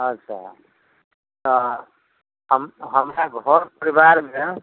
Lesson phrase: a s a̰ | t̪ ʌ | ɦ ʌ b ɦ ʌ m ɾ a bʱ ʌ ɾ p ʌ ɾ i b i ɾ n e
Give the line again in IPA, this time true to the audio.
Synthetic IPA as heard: ʌ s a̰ | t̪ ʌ | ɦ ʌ m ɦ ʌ m ɾ a ɡʱ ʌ ɾ p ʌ ɾ i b a ɾ m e